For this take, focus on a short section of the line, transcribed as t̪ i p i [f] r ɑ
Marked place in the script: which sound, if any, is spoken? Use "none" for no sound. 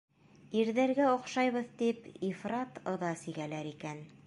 f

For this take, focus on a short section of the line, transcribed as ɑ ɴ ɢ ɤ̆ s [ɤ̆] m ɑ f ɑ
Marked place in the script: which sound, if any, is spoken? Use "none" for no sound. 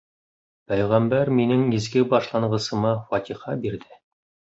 ɤ̆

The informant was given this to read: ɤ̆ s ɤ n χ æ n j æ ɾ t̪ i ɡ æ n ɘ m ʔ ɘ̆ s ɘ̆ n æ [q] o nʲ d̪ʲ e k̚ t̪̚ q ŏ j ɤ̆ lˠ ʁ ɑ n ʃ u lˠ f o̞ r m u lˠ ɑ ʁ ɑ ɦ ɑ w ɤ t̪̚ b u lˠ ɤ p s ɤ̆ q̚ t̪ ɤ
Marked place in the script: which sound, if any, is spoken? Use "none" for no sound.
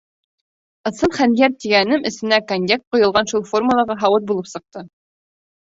k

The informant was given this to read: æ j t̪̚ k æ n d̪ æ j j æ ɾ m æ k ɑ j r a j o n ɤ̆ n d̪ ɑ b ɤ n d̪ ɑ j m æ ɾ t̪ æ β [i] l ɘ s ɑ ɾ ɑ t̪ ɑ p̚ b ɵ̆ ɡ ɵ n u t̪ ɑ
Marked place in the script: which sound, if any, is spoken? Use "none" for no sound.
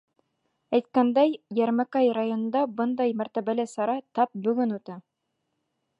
æ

